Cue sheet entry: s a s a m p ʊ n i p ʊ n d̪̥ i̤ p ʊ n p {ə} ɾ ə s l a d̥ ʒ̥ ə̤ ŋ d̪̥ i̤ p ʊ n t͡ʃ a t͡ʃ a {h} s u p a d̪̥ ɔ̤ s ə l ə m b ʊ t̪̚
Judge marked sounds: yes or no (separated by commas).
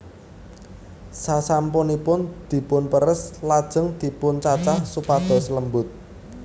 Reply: yes, yes